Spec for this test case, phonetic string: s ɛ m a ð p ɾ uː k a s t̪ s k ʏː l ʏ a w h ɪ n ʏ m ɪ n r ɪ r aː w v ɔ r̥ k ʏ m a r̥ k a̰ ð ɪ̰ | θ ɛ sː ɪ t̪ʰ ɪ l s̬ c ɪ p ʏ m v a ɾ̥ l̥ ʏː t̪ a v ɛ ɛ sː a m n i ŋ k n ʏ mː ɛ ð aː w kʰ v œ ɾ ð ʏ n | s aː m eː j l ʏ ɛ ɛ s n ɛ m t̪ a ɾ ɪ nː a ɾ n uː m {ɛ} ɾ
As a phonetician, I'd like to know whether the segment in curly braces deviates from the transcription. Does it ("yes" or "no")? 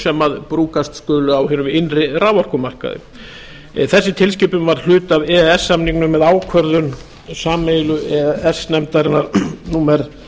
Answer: no